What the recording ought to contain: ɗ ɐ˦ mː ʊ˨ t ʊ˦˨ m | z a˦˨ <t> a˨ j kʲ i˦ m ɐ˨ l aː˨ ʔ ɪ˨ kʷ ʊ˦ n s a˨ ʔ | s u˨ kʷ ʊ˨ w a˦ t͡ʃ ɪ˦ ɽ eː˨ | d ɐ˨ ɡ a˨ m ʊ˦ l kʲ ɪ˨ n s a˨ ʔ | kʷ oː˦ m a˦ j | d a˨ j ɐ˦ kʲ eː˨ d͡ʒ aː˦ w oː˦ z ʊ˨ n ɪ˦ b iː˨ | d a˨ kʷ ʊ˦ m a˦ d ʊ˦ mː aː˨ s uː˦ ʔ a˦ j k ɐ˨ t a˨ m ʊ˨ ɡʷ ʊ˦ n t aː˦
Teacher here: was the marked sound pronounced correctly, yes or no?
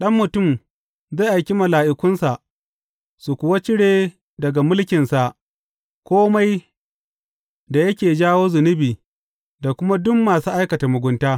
no